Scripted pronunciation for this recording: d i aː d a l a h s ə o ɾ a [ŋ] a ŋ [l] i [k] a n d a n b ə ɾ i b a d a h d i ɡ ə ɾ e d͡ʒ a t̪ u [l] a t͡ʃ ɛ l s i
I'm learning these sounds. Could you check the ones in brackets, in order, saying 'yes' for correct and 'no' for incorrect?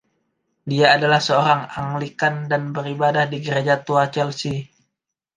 yes, yes, yes, no

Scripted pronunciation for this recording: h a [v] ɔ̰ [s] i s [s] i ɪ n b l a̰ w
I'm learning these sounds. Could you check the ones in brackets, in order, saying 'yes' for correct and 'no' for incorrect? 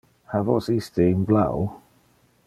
yes, yes, no

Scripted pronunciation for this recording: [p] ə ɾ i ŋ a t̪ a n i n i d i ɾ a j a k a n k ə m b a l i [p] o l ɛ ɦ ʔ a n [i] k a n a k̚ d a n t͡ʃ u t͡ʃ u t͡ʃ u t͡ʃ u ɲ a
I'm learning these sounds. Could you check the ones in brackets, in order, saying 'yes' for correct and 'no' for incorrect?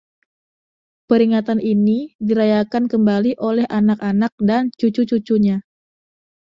yes, no, no

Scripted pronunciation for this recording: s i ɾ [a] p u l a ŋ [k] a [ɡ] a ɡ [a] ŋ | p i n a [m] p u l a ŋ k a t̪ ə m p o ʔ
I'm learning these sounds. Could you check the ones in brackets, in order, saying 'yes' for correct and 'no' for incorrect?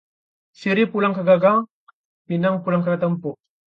no, yes, yes, yes, no

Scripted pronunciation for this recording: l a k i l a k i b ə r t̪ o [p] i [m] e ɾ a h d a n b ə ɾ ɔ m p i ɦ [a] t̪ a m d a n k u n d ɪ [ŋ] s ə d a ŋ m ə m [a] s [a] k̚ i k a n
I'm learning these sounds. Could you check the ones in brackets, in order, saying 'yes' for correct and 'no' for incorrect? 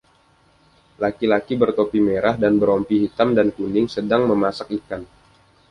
yes, yes, no, yes, yes, yes

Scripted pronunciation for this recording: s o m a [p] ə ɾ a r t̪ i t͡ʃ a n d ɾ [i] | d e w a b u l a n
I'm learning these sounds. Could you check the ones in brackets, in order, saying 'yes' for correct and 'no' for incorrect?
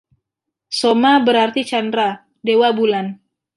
no, no

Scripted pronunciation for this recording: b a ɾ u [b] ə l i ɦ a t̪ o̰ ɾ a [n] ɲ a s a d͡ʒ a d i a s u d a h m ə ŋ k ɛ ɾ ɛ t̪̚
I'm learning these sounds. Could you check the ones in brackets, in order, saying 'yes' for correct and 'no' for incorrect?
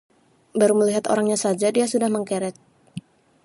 no, no

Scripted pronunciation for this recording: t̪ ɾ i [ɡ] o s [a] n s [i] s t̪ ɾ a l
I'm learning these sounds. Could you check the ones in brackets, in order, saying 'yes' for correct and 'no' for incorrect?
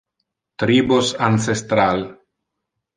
no, yes, no

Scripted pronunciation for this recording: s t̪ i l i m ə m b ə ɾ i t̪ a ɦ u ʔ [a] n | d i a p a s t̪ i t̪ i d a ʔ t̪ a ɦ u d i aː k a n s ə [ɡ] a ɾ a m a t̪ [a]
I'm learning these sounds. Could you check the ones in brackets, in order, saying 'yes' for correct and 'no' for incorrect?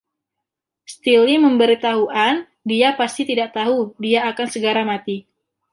yes, yes, no

